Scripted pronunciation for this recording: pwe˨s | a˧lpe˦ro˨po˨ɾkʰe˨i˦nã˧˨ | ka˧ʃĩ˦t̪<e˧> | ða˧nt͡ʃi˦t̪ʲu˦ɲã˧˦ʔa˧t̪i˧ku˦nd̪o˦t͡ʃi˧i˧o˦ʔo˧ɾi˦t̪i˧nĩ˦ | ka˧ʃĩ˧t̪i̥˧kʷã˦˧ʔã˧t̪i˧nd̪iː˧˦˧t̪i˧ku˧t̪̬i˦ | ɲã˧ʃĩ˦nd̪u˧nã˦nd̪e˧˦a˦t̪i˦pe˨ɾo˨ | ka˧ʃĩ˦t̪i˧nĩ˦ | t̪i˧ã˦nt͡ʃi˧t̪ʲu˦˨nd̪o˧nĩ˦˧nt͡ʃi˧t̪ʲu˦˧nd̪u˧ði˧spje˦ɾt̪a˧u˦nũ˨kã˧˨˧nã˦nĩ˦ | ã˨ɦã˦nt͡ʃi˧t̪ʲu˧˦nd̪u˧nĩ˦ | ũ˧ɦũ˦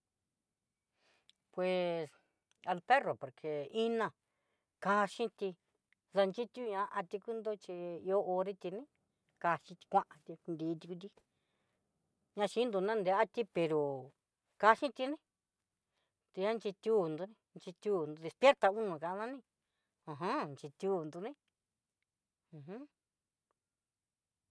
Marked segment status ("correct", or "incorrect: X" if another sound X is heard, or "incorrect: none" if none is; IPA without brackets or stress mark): incorrect: i˧